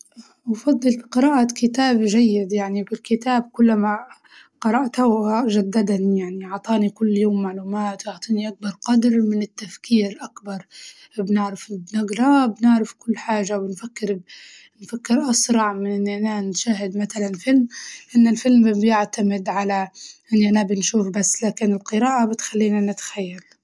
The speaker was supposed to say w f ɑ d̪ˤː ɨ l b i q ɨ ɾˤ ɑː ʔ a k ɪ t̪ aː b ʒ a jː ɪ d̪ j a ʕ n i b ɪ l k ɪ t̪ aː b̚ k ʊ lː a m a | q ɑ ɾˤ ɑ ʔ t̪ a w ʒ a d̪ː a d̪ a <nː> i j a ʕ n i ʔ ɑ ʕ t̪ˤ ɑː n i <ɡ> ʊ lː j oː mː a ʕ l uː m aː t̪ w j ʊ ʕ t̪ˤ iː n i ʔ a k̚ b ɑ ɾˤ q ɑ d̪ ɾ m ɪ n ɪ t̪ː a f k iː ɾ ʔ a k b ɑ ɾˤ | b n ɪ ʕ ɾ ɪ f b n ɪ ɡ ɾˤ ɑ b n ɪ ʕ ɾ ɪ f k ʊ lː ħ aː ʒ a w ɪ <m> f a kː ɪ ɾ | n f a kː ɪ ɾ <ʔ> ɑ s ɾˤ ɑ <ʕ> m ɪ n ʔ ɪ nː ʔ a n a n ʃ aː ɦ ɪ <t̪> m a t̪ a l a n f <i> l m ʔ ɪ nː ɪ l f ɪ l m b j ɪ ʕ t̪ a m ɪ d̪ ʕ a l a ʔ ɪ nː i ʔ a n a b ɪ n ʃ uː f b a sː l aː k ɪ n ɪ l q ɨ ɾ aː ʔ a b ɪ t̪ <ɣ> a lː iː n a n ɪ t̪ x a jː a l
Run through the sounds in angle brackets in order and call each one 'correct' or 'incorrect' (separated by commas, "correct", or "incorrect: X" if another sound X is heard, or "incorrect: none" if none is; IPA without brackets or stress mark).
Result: incorrect: n, incorrect: k, incorrect: n, correct, correct, incorrect: d̪, incorrect: ɪ, incorrect: x